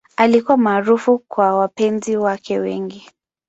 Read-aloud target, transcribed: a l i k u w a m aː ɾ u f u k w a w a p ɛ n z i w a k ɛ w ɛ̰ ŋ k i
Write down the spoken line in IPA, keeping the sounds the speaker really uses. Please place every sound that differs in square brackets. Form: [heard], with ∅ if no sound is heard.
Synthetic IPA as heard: a l i k u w a m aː ɾ u f u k w a w a p ɛ n z i w a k ɛ w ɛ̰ ŋ [ɡ] i

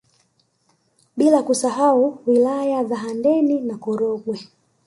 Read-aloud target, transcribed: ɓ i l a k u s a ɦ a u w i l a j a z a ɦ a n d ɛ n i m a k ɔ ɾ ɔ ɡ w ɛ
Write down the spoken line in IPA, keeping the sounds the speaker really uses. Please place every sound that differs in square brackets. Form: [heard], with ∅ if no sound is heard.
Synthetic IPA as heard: ɓ i l a k u s a ɦ a u w i l a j a z a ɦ a n d ɛ n i [n] a k ɔ ɾ ɔ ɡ w ɛ

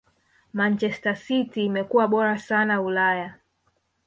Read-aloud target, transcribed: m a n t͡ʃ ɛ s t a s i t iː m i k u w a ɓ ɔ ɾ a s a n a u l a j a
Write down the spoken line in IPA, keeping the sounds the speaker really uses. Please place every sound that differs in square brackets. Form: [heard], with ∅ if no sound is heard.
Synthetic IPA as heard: m a n t͡ʃ ɛ s t a s i t iː m [ɛ] k u w a ɓ ɔ ɾ a s a n a u l a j a

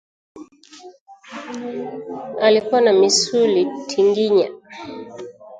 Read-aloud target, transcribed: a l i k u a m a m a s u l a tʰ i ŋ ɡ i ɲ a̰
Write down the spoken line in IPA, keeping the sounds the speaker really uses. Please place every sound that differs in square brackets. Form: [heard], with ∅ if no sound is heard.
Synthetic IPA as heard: a l i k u a [n] a m [i] s u l [i] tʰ i ŋ ɡ i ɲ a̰

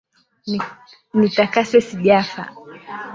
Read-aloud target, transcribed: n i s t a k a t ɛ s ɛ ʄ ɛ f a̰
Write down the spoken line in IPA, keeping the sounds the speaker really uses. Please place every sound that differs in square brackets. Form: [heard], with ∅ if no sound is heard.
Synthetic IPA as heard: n i [∅] t a k a [s] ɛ s [i] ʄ [a] f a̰

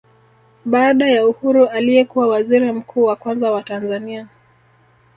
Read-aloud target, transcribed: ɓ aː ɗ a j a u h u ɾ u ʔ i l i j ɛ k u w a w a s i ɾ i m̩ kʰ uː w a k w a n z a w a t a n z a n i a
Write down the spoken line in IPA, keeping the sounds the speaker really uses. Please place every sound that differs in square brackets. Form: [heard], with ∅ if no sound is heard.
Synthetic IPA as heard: ɓ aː ɗ a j a u h u ɾ u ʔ [a] l i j ɛ k u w a w a [z] i ɾ i m̩ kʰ uː w a k w a n z a w a t a n z a n i a

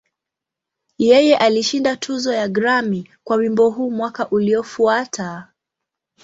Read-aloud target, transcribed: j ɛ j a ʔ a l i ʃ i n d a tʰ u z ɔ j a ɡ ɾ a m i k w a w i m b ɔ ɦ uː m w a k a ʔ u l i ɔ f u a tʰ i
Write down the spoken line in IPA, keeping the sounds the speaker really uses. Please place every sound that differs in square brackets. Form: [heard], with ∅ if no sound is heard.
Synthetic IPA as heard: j ɛ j [ɛ] ʔ a l i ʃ i n d a tʰ u z ɔ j a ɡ ɾ a m i k w a w i m b ɔ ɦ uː m w a k a ʔ u l i ɔ f u a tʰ [a]

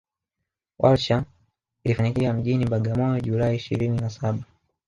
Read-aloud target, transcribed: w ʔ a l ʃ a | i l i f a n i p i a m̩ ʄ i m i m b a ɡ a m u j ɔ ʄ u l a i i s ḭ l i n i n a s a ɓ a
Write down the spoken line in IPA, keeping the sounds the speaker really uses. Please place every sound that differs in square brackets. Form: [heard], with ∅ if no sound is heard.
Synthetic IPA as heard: w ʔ a l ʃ a | i l i f a [ɲ] i [k] i a m̩ ʄ i [n] i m b a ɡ a m [ɔ] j ɔ ʄ u l a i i [ʃ] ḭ [ɾ] i n i n a s a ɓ a

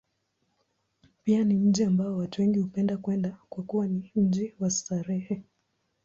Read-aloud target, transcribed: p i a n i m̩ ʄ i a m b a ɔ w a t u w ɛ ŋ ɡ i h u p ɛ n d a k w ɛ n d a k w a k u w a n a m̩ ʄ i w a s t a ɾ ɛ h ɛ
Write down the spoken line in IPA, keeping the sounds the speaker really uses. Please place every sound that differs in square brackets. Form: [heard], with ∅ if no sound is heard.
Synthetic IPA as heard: p i a n i m̩ ʄ i a m b a ɔ w a t u w ɛ ŋ ɡ i h u p ɛ n d a k w ɛ n d a k w a k u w a n [i] m̩ ʄ i w a s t a ɾ ɛ h ɛ

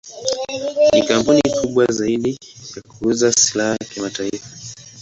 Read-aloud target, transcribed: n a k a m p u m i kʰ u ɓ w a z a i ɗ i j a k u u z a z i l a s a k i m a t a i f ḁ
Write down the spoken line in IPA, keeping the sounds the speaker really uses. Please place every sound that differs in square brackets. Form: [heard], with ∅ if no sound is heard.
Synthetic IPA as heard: n [i] k a m p u [n] i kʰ u ɓ w a z a i ɗ i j a k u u z a [s] i l a [h] a k i m a t a i f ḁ

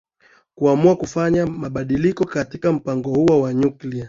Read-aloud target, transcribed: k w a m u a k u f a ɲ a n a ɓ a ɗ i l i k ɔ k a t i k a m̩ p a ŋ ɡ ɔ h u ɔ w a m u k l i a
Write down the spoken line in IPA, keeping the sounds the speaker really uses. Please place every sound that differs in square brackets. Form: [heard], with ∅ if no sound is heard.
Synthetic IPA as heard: k [u] a m u a k u f a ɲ a [m] a ɓ a ɗ i l i k ɔ k a t i k a m̩ p a ŋ ɡ ɔ h u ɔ w a [ɲ] u k l i a

